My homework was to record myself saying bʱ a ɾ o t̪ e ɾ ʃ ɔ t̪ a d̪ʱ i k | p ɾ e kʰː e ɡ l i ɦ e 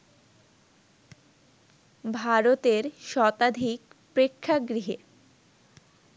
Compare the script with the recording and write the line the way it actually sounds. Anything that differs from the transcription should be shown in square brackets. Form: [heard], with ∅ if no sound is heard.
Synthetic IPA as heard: bʱ a ɾ o t̪ e ɾ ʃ ɔ t̪ a d̪ʱ i k | p ɾ e kʰː [a] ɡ [ɾ] i ɦ e